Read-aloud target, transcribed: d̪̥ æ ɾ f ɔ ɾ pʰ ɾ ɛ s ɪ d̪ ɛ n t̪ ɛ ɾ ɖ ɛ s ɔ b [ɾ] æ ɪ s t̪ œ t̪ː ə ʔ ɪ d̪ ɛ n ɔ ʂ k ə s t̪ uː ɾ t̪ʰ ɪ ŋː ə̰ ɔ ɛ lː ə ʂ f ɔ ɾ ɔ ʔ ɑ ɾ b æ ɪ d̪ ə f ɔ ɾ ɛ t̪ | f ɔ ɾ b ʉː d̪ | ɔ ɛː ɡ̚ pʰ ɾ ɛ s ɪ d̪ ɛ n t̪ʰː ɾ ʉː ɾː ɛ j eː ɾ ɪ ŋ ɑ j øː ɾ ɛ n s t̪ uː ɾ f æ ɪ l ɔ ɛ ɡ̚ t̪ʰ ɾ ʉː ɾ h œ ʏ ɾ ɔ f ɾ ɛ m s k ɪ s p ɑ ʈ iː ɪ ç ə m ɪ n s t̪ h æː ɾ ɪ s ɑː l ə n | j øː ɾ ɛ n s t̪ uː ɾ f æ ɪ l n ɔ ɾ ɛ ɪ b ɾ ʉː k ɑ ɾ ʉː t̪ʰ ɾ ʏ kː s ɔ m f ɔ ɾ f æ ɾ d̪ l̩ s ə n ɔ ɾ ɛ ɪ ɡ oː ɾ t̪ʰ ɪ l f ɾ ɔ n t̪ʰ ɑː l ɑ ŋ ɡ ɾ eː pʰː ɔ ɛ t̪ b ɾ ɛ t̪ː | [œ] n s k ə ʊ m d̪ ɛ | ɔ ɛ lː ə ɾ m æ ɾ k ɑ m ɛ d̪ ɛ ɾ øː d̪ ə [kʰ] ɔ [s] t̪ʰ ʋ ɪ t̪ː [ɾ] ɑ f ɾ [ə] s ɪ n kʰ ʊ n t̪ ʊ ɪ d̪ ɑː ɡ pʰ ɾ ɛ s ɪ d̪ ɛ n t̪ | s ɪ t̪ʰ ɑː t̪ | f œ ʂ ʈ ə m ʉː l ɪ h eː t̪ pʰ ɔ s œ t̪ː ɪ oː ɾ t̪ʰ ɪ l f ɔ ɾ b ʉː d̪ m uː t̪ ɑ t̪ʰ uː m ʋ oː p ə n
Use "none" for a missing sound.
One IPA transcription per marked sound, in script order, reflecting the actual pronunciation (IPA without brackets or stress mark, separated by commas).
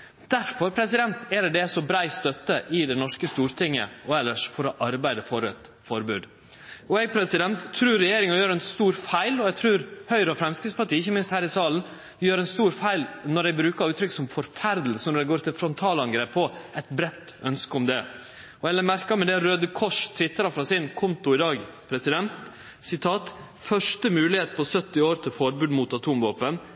ɾ, œ, kʰ, ʂ, ɾ, ɑ